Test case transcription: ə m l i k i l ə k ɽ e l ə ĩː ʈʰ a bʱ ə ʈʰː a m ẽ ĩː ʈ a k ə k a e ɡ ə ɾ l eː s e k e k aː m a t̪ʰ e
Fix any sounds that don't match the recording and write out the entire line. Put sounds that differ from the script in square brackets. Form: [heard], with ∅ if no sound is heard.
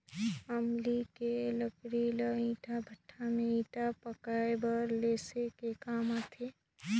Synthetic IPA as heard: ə m l i k [e] l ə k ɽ [i] l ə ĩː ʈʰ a bʱ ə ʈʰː a m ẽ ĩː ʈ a [p] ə k a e [b] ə ɾ l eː s e k e k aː m a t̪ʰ e